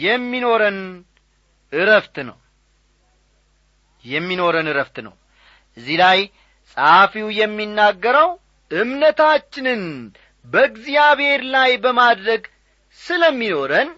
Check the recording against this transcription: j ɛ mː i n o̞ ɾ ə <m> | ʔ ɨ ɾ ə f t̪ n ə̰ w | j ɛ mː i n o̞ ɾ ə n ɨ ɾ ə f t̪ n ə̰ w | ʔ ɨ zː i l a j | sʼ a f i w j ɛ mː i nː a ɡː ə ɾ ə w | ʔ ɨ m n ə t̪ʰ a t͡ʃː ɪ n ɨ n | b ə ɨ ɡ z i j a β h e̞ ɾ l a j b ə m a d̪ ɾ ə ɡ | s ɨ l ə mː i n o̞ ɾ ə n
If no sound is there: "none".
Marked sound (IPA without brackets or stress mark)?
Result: n